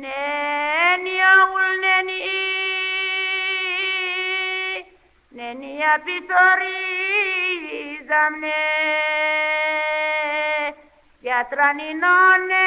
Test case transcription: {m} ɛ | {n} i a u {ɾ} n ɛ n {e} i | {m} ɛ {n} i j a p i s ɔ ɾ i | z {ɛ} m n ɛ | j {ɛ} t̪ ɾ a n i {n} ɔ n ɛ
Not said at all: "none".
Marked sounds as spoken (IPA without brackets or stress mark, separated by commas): n, n, l, i, n, n, a, a, n